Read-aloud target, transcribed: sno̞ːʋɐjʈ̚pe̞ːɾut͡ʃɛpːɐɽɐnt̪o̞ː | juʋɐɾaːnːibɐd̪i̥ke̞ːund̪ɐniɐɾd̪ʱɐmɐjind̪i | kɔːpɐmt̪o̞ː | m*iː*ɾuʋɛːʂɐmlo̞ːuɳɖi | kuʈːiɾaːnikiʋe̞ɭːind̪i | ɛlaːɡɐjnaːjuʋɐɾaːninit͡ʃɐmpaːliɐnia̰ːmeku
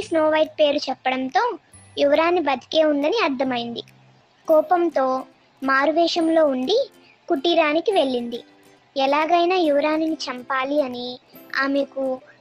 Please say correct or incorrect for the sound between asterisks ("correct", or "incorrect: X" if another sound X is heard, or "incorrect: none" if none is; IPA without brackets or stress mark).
incorrect: aː